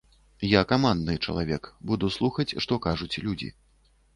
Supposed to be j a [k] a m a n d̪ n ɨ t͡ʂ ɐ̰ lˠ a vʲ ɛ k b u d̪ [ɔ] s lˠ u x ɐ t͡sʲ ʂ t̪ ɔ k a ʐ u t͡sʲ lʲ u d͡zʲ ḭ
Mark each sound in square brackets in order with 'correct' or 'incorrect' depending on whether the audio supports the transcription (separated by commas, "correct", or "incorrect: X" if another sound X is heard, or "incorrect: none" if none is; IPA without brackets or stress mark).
correct, incorrect: u